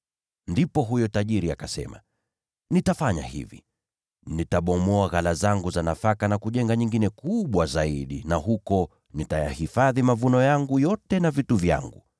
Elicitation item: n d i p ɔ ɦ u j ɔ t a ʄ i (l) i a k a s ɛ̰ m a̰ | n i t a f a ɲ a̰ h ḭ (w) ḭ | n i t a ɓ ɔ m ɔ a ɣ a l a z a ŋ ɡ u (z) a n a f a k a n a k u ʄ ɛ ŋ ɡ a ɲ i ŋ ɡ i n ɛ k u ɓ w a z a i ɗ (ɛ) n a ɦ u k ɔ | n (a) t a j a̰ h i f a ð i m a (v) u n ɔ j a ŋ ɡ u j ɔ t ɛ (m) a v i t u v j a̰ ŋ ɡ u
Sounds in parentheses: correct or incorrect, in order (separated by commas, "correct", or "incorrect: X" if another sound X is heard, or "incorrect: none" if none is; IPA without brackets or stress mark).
incorrect: ɾ, incorrect: v, correct, incorrect: i, incorrect: i, correct, incorrect: n